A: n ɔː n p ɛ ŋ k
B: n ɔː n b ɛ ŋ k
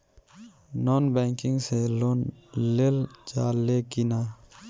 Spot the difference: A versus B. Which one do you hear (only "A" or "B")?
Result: B